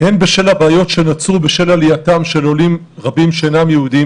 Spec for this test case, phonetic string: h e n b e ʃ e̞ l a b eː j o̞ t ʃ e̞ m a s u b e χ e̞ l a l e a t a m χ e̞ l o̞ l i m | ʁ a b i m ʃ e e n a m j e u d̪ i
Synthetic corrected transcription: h e n b e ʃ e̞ l a b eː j o̞ t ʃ e̞ n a t͡s u b e ʃ e̞ l a l i a t a m ʃ e̞ l o̞ l i m | ʁ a b i m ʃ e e n a m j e u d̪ i